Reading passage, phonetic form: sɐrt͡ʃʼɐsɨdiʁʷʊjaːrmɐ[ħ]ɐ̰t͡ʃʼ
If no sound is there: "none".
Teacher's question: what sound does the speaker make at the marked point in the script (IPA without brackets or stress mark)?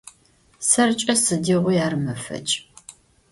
f